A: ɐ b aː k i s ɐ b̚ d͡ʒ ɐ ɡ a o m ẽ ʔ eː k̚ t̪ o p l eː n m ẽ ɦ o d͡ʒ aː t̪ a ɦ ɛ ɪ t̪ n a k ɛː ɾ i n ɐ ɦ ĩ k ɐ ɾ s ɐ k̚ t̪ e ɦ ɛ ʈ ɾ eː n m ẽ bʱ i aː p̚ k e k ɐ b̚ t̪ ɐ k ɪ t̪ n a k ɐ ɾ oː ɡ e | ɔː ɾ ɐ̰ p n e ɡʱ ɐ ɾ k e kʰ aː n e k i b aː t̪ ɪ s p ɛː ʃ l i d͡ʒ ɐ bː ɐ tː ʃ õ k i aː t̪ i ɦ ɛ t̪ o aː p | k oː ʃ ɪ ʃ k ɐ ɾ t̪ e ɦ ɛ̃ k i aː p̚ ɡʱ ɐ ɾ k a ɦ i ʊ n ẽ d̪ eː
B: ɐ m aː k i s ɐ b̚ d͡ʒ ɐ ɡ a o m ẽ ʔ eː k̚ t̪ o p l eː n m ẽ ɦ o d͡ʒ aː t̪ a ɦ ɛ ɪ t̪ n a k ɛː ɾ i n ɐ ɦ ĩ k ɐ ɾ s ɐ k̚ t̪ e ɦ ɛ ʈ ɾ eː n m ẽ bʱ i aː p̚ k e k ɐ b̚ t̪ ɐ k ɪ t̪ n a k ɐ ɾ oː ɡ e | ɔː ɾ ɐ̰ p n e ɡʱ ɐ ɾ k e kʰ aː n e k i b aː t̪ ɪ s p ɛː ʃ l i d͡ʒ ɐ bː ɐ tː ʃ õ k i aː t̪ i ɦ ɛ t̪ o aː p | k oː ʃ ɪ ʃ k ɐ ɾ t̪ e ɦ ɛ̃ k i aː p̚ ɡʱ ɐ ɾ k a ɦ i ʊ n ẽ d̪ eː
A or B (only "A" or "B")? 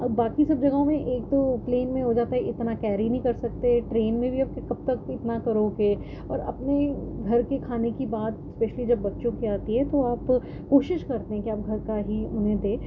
A